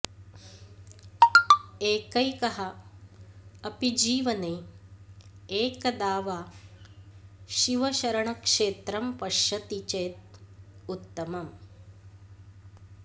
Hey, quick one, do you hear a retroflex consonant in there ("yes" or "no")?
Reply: yes